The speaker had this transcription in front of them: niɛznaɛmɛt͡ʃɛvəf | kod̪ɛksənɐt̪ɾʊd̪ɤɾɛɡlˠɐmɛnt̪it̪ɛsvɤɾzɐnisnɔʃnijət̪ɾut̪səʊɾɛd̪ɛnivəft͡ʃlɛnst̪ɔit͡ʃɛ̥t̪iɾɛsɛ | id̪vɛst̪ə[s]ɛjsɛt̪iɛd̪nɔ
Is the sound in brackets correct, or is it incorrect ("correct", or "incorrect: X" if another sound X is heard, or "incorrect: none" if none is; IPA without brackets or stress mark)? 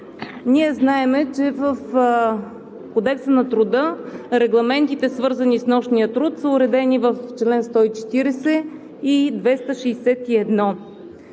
incorrect: ʃ